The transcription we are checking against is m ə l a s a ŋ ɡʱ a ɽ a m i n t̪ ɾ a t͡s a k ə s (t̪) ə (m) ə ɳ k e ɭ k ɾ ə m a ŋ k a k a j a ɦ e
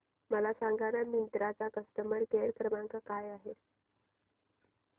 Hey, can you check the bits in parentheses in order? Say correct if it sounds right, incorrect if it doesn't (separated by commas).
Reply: correct, correct